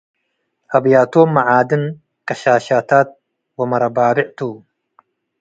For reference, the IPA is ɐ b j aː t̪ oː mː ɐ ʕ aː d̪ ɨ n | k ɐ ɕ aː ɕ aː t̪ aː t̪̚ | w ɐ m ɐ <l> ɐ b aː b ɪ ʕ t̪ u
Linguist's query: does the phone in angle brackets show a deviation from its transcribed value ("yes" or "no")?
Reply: yes